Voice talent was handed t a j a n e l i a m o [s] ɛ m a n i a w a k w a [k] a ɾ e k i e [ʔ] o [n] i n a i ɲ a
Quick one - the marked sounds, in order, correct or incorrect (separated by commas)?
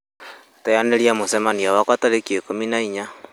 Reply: correct, incorrect, incorrect, incorrect